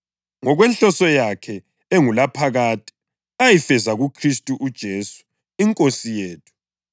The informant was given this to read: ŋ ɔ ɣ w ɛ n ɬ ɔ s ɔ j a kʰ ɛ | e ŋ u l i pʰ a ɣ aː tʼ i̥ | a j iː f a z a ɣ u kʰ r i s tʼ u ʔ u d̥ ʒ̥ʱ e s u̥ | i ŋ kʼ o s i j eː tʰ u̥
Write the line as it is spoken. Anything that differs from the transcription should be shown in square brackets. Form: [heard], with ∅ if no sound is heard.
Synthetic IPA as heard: ŋ ɔ ɣ w ɛ n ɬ ɔ s ɔ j a kʰ ɛ | e ŋ u l [a] pʰ a ɣ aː tʼ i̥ | a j [i] f [ɛ] z a ɣ u kʰ r i s tʼ u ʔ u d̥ ʒ̥ʱ e s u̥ | i ŋ kʼ o s i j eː tʰ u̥